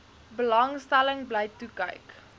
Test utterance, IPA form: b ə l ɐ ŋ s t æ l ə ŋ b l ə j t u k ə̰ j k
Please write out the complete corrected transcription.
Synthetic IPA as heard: b ə l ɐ ŋ s t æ l ə ŋ b l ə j t u k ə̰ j k